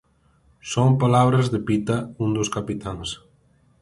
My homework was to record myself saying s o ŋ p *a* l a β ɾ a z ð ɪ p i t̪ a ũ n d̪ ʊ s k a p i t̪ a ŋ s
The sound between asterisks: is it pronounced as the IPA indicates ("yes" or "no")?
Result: yes